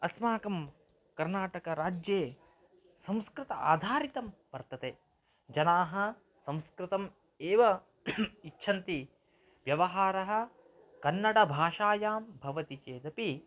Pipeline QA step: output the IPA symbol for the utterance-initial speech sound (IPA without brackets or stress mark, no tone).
ɐ